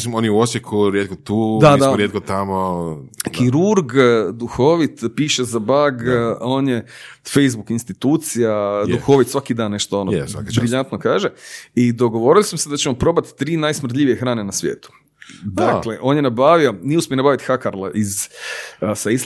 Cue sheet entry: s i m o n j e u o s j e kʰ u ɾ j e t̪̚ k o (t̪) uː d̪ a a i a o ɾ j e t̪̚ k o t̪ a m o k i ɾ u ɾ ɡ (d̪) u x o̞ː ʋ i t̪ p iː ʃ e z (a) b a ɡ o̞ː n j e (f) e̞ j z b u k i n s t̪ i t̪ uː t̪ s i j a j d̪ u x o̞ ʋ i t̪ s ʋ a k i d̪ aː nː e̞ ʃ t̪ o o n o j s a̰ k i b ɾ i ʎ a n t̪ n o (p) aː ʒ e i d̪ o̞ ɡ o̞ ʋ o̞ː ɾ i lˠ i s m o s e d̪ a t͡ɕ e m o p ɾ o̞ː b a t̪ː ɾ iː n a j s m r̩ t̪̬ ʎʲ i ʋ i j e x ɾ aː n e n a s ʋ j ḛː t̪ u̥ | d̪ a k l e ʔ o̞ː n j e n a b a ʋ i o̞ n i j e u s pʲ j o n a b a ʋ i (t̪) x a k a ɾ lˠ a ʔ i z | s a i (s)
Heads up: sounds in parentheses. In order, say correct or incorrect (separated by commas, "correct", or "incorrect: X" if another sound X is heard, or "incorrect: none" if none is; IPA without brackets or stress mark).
correct, correct, correct, correct, incorrect: k, correct, correct